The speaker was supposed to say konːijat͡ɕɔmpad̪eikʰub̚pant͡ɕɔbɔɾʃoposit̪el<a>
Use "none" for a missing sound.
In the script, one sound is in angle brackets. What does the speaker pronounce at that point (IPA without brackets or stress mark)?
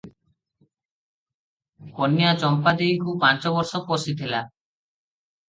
a